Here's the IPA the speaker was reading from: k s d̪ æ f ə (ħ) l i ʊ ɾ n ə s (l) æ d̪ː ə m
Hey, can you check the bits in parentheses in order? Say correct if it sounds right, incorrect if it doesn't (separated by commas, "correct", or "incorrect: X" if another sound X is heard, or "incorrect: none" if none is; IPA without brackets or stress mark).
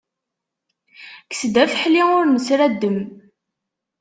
correct, incorrect: ɾ